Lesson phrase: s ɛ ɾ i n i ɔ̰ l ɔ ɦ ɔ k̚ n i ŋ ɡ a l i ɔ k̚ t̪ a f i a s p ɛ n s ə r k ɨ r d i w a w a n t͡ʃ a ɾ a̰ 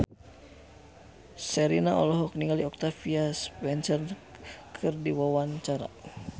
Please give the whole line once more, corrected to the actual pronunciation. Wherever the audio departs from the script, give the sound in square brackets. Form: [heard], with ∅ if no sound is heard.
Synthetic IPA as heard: s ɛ ɾ i n [a] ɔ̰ l ɔ ɦ ɔ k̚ n i ŋ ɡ a l i ɔ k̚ t̪ a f i a s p ɛ n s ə r [kʰ] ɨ r d i w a w a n t͡ʃ a ɾ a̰